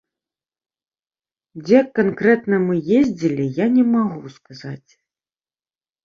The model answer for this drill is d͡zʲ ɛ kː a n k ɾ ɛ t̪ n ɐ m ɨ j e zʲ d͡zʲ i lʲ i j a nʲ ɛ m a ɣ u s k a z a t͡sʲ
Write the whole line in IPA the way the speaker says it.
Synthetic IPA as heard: d͡zʲ ɛ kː a n k ɾ ɛ t̪ n ɐ m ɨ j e zʲ d͡zʲ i lʲ i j a nʲ ɛ m a ɣ u s k a z a t͡sʲ